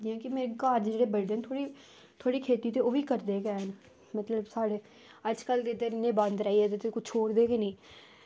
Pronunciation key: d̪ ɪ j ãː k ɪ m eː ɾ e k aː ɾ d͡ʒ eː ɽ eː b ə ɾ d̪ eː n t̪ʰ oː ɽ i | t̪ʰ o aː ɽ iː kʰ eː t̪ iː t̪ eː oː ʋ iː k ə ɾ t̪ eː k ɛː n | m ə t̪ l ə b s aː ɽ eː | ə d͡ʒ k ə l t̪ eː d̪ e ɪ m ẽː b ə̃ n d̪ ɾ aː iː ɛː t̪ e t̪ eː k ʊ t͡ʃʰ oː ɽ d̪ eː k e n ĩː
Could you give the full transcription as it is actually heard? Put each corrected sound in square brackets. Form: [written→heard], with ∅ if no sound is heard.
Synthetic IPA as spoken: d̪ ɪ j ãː k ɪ m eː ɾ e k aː ɾ d͡ʒ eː ɽ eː b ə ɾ d̪ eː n t̪ʰ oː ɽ i | t̪ʰ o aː ɽ iː kʰ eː t̪ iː t̪ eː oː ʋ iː k ə ɾ [t̪→d̪] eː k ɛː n | m ə t̪ l ə b s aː ɽ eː | ə d͡ʒ k ə l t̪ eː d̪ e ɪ [m→n] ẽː b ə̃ n d̪ ɾ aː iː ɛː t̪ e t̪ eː k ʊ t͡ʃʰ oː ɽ d̪ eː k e n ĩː